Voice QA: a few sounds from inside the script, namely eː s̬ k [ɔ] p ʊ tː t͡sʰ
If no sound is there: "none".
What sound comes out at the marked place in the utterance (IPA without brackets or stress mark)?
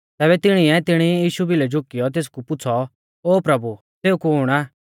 u